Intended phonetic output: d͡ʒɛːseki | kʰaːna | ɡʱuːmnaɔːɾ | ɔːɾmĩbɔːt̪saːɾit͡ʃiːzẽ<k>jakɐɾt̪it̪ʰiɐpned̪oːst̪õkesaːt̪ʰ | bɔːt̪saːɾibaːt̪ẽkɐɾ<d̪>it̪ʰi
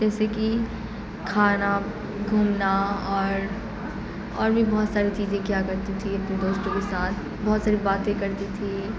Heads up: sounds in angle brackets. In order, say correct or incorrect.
correct, incorrect

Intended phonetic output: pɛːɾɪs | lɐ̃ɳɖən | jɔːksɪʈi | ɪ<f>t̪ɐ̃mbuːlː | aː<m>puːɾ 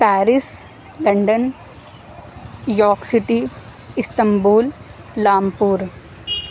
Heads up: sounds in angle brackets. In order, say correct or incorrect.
incorrect, correct

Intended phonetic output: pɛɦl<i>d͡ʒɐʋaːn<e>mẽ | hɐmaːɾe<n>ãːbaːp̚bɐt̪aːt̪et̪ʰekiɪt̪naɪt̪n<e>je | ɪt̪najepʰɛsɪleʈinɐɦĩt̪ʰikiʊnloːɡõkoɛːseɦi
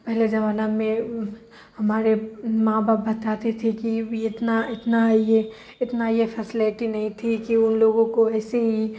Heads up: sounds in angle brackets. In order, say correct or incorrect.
incorrect, incorrect, incorrect, incorrect

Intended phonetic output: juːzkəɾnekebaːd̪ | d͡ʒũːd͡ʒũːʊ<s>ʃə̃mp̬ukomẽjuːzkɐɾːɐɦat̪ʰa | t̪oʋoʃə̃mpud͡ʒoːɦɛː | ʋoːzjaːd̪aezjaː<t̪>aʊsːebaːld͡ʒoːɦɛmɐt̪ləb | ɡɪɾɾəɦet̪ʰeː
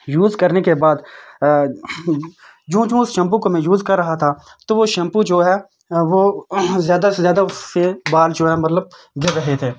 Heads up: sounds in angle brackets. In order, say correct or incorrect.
correct, incorrect

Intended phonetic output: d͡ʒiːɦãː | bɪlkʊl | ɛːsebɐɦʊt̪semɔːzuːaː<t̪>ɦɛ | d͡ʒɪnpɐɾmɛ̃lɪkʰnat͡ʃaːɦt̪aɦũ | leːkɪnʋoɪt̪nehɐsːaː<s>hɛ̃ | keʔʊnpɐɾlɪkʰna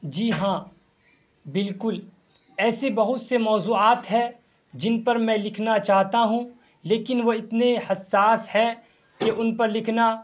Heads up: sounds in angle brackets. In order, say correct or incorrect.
correct, correct

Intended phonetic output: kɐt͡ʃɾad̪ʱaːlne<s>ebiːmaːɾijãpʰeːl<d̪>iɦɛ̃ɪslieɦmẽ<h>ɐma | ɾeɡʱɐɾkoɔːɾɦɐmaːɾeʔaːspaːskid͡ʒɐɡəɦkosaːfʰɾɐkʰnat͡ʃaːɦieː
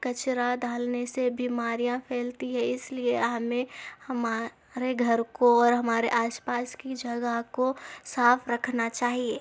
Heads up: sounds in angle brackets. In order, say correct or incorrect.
correct, incorrect, correct

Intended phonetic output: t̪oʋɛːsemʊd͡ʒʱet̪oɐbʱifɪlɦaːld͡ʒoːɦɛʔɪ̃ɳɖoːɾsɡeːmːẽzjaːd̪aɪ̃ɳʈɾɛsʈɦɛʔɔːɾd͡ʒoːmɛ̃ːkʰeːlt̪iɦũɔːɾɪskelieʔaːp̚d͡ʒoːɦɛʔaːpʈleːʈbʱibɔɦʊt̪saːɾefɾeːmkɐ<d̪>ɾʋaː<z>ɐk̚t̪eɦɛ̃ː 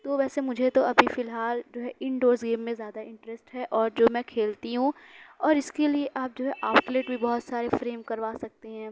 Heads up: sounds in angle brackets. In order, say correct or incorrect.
incorrect, incorrect

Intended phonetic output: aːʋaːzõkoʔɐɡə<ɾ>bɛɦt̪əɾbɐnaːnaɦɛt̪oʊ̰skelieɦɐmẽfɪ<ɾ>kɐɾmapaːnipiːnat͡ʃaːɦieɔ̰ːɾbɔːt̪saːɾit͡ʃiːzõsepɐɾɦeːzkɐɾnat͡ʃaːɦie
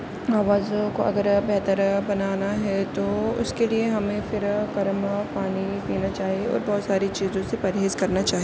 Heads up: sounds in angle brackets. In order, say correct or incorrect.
correct, correct

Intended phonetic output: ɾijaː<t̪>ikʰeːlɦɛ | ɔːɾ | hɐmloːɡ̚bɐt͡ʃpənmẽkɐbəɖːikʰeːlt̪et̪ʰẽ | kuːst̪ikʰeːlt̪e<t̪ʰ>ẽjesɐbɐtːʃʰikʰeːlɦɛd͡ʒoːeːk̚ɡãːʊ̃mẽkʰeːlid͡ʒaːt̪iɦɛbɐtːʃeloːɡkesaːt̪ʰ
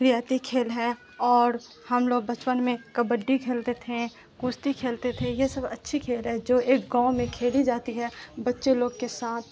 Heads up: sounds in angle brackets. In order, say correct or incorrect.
correct, correct

